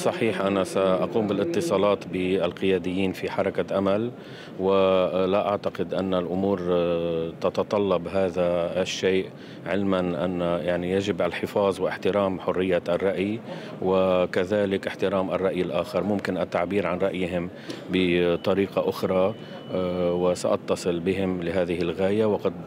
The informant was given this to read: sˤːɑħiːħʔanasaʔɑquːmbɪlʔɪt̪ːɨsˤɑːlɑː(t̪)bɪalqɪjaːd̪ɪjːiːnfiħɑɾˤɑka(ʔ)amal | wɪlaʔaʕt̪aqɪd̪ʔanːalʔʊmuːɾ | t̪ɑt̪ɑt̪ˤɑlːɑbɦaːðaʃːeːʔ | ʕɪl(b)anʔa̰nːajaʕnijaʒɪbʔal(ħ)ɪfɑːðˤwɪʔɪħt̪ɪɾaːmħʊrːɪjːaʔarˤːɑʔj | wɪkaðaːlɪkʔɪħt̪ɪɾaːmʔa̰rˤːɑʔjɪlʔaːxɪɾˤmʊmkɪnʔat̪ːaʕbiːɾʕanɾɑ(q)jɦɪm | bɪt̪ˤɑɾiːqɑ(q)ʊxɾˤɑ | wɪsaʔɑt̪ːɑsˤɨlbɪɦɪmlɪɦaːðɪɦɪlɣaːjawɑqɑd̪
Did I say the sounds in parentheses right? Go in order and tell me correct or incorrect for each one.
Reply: correct, correct, incorrect, correct, incorrect, incorrect

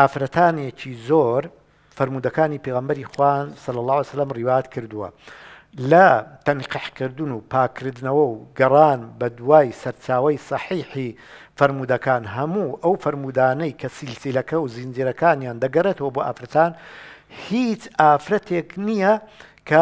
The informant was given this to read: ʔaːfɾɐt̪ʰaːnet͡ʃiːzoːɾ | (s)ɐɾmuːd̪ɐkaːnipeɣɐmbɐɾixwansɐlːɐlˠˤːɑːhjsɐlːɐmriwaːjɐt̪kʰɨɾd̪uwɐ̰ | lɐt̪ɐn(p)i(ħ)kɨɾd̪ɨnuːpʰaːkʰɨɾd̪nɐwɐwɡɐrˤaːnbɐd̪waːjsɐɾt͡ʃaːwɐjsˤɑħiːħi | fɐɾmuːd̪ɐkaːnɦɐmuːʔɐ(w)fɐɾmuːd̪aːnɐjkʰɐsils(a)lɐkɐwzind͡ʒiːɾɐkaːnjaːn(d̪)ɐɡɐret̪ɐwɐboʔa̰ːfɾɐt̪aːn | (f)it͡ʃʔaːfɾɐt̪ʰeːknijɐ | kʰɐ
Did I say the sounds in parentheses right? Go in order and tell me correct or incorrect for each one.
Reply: incorrect, incorrect, correct, correct, incorrect, correct, incorrect

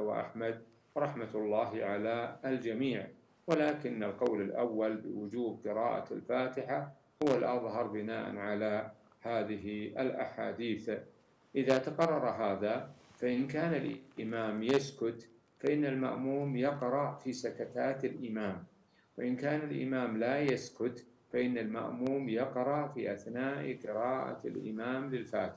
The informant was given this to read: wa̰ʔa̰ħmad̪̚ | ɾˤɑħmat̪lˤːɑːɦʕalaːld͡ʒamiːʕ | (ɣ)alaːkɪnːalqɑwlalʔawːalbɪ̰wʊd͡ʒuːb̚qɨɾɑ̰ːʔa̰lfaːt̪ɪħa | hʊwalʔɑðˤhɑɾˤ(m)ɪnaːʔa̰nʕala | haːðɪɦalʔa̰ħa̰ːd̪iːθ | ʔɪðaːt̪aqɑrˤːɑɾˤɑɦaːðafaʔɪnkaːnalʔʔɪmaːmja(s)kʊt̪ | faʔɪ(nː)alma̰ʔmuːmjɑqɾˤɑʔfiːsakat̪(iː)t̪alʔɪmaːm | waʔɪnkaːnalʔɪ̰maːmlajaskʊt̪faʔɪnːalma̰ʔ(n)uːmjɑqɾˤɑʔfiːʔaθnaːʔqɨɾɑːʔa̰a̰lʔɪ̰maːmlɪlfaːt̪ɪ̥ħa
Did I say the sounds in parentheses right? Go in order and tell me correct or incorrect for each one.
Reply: incorrect, incorrect, correct, correct, incorrect, incorrect

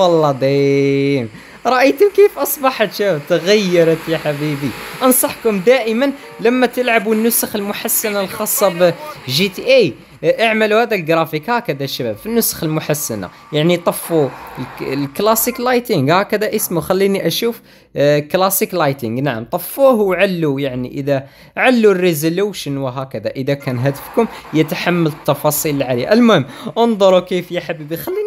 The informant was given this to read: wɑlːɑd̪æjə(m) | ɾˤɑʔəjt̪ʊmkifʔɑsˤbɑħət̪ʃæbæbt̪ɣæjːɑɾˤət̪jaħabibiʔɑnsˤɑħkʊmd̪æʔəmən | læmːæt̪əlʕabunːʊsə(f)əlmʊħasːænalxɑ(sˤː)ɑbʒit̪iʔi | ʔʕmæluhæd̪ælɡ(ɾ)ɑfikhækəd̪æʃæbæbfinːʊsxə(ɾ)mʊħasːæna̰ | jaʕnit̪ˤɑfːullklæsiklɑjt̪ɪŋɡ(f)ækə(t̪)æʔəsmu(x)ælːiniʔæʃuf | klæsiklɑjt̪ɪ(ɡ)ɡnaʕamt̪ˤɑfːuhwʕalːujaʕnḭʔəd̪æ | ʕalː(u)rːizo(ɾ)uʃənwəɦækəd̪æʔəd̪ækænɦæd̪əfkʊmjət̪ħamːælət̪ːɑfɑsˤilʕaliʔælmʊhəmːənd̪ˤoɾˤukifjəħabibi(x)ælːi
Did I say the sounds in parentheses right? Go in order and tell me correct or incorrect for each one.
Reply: correct, incorrect, correct, correct, incorrect, incorrect, incorrect, correct, incorrect, correct, incorrect, correct

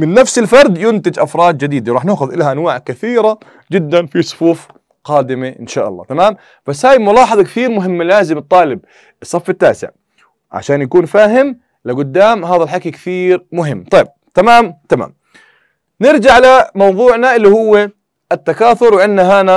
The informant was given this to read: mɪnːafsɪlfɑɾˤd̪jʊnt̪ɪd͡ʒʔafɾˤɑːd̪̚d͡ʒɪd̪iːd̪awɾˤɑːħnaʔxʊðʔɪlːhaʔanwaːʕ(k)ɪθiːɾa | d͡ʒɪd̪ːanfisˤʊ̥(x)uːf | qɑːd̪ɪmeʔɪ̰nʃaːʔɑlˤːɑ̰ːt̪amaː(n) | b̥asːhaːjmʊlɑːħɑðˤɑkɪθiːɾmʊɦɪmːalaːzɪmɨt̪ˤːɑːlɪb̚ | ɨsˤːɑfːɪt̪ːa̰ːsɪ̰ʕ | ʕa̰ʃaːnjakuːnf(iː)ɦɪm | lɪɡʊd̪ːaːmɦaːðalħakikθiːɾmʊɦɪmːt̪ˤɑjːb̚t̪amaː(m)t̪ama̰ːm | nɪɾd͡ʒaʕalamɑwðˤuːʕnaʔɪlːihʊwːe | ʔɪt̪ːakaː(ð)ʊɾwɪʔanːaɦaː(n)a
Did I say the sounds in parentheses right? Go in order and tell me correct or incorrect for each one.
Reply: correct, incorrect, incorrect, incorrect, correct, incorrect, correct

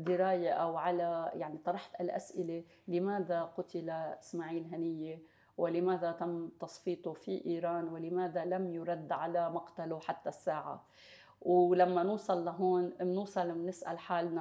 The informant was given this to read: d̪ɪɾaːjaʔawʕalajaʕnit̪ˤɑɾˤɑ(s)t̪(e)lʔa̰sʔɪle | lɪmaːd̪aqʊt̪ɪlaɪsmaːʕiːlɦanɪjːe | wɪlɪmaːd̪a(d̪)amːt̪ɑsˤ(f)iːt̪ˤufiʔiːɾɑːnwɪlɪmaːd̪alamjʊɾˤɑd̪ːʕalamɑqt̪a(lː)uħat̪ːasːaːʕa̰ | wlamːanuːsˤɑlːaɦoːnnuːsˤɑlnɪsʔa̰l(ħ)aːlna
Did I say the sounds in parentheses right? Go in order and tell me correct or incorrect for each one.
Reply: incorrect, incorrect, incorrect, correct, incorrect, correct

